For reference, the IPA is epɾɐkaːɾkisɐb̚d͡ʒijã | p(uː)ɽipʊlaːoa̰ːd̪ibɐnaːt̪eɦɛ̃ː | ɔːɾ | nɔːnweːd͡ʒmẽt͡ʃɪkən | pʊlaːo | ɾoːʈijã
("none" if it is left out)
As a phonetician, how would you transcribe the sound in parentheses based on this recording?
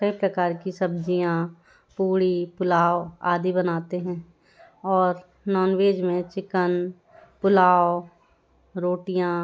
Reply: uː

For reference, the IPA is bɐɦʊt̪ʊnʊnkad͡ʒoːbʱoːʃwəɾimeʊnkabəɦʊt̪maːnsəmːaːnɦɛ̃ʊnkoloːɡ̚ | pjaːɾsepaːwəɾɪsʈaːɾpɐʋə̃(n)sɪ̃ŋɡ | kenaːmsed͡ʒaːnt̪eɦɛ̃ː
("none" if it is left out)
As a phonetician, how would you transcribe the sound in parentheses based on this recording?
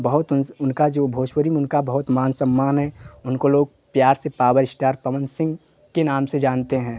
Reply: n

